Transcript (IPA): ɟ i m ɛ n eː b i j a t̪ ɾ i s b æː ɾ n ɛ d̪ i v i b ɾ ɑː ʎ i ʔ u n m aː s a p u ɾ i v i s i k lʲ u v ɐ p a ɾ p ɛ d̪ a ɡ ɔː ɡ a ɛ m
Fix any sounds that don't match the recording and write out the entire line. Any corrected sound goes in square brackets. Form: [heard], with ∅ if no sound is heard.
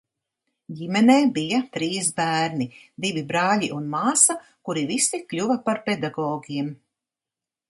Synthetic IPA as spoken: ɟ i m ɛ n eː b i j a t̪ ɾ [iː] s b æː ɾ n [i] d̪ i v i b ɾ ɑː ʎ i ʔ u n m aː s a [k] u ɾ i v i s i k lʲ u v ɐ p a ɾ p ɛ d̪ a ɡ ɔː ɡ [i] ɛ m